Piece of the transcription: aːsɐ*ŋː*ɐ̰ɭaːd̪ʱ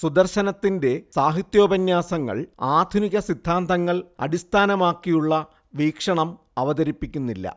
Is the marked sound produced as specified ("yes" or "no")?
yes